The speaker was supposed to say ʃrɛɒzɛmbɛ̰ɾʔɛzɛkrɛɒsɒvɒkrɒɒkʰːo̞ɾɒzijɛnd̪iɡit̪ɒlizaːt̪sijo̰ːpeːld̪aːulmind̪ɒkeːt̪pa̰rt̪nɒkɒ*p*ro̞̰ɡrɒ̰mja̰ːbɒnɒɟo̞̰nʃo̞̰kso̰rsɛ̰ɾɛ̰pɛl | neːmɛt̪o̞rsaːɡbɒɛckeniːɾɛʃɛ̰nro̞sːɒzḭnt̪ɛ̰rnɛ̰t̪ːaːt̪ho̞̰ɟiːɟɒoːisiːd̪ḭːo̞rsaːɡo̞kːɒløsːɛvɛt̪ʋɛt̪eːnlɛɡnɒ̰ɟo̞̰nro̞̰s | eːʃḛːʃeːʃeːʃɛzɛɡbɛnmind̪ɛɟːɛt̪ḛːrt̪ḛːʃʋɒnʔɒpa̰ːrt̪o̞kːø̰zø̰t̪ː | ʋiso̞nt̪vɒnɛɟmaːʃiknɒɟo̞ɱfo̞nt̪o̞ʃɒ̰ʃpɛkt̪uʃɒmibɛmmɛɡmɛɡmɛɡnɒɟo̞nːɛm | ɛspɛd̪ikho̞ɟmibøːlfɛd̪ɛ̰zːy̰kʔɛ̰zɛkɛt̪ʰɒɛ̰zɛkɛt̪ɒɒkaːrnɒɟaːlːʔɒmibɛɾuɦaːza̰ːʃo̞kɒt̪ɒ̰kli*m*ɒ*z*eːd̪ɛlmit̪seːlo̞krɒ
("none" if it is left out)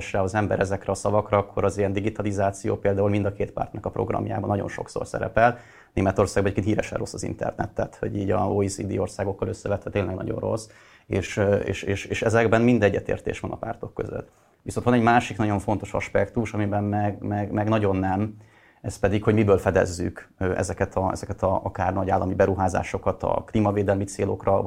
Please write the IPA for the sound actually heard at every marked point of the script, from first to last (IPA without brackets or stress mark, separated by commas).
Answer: p, m, v